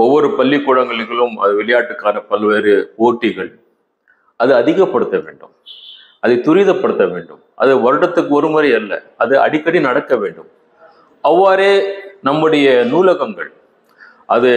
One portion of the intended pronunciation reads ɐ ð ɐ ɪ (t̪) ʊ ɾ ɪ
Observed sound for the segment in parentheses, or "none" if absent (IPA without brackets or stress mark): t̪